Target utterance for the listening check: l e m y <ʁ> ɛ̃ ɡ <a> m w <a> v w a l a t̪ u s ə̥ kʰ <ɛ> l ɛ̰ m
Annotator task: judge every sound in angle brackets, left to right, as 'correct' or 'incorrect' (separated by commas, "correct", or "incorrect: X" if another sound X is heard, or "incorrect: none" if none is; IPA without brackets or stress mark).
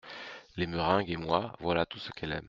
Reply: correct, incorrect: e, correct, correct